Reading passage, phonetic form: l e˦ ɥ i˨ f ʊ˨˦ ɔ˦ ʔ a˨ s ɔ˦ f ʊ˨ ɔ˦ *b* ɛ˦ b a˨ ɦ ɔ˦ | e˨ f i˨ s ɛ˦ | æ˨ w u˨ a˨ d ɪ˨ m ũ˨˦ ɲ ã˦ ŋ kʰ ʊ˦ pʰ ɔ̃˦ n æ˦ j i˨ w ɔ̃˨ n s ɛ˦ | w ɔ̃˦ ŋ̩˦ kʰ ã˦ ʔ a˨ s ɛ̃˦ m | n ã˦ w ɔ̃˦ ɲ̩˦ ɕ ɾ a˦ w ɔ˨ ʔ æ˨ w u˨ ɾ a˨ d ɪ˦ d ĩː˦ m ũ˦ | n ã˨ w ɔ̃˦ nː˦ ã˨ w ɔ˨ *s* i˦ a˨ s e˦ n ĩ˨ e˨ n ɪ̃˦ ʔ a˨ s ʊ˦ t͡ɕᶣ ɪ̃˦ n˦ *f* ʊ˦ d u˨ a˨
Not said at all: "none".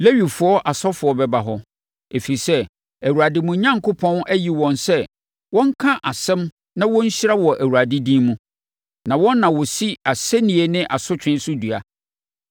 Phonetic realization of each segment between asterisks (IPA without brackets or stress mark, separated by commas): b, s, s